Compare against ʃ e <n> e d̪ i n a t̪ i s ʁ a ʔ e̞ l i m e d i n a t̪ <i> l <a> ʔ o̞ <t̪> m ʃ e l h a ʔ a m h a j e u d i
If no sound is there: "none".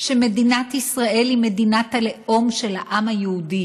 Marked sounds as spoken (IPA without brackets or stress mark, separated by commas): m, a, e, none